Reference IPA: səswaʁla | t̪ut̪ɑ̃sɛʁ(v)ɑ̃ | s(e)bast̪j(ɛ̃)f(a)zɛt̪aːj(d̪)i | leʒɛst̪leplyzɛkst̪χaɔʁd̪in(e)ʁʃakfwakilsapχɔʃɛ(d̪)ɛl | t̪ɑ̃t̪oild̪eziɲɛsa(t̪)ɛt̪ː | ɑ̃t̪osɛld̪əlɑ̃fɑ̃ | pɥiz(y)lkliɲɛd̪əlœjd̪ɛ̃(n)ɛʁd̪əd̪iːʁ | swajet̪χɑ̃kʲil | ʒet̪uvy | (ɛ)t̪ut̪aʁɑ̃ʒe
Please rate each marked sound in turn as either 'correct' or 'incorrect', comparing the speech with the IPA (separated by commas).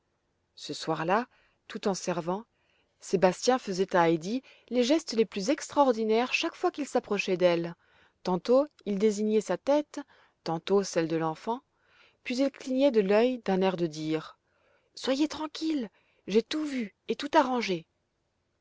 correct, correct, correct, incorrect, correct, incorrect, correct, correct, incorrect, correct, incorrect